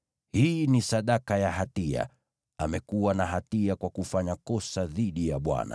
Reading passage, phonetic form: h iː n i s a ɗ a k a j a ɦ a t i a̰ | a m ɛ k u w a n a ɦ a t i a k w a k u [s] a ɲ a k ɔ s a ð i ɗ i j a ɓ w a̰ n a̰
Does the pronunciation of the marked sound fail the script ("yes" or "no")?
yes